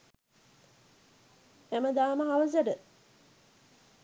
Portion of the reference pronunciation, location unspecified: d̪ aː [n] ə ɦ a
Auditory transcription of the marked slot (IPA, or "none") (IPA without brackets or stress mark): m